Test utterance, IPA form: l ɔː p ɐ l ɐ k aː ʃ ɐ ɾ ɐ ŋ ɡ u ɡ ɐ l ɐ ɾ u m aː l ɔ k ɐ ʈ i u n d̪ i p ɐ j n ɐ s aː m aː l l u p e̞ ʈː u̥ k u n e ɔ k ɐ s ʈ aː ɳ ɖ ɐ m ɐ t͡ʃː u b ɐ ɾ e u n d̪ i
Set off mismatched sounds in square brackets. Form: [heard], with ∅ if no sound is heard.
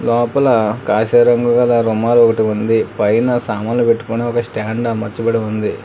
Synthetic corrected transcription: l ɔː p ɐ l ɐ k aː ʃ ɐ ɾ ɐ ŋ ɡ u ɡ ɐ l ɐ ɾ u m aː l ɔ k ɐ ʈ i u n d̪ i p ɐ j n ɐ s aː m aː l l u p e̞ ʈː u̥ k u n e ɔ k ɐ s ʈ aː ɳ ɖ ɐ m ɐ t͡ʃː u b ɐ [ɽ] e u n d̪ i